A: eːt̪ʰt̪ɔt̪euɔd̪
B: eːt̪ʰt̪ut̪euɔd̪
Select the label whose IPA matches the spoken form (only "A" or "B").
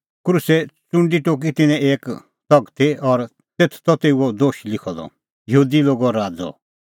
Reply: A